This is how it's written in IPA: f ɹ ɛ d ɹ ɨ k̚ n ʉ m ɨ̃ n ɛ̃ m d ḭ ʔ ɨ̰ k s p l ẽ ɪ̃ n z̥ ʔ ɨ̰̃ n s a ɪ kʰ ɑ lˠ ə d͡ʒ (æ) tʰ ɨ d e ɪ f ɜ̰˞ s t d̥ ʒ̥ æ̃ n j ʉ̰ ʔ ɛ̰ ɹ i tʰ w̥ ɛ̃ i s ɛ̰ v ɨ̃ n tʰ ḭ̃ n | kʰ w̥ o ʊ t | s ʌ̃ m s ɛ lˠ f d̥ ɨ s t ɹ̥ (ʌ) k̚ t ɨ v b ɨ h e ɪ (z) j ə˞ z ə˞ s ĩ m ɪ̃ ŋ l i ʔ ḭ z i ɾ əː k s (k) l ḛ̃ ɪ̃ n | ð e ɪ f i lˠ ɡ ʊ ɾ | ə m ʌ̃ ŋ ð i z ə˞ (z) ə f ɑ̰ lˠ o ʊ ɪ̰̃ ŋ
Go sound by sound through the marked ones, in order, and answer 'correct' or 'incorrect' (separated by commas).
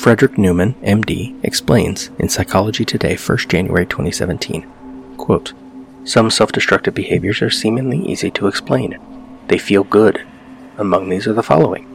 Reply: incorrect, correct, incorrect, incorrect, incorrect